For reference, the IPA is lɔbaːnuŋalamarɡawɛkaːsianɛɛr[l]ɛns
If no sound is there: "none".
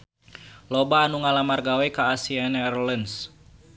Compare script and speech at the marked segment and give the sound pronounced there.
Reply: l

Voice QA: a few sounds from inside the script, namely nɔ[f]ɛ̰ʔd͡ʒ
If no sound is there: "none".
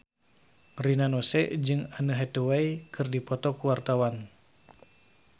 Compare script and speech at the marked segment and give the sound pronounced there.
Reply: s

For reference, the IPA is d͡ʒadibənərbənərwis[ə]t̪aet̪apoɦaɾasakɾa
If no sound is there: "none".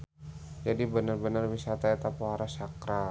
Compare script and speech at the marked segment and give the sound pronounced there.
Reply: a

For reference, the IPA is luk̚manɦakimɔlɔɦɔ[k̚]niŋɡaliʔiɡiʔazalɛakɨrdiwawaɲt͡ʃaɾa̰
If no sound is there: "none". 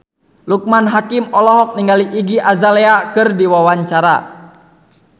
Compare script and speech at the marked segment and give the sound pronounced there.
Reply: k̚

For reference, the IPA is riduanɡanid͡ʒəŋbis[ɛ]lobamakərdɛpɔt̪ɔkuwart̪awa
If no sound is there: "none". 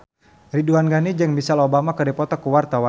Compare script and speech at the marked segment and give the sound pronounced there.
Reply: a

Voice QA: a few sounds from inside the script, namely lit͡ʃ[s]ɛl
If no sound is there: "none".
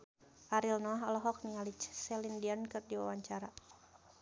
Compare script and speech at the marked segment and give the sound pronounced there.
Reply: s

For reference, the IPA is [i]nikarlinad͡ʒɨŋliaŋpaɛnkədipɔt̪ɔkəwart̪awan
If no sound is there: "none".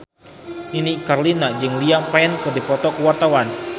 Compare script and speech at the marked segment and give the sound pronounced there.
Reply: i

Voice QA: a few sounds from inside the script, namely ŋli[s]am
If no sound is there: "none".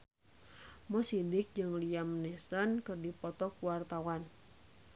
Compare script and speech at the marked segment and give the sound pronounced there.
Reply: none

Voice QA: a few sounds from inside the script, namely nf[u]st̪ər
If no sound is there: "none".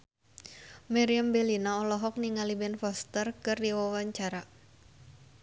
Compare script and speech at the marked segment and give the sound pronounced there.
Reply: ɔ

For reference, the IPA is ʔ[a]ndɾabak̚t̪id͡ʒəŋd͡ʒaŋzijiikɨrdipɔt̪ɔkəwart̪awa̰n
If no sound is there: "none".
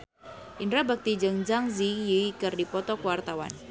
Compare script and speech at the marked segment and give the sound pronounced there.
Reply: i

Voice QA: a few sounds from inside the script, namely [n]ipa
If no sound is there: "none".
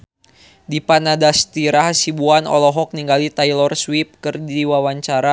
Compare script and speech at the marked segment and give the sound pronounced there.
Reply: d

